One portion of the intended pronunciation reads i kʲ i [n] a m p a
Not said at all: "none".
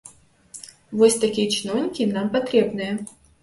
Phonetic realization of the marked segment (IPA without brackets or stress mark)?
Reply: n